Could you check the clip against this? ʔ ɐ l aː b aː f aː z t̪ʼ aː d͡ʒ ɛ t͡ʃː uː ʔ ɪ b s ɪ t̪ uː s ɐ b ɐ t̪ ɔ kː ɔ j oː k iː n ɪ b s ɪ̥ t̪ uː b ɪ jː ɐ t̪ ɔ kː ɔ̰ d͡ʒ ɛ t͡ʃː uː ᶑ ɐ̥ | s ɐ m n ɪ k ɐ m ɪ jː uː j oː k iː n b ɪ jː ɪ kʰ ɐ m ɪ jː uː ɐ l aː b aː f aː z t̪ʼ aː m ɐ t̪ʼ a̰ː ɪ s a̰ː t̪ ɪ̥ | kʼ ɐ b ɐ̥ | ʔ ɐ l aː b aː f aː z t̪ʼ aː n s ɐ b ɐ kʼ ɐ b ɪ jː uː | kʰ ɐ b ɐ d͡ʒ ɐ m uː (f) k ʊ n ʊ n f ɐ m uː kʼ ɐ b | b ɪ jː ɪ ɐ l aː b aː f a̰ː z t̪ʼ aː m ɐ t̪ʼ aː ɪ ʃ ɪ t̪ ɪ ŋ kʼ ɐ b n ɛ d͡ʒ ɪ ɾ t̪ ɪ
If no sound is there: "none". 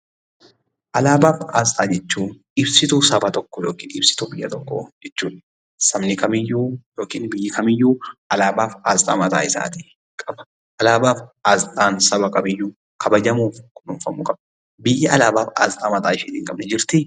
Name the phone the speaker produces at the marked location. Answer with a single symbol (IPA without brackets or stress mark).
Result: f